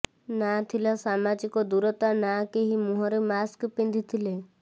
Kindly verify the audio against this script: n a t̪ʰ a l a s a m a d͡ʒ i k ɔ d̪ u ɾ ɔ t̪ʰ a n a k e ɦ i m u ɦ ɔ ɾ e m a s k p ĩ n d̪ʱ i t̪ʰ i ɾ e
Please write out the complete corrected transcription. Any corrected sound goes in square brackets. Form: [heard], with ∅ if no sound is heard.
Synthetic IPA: n a t̪ʰ [i] l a s a m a d͡ʒ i k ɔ d̪ u ɾ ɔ [t̪] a n a k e ɦ i m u ɦ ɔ ɾ e m a s k p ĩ n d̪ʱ i t̪ʰ i [l] e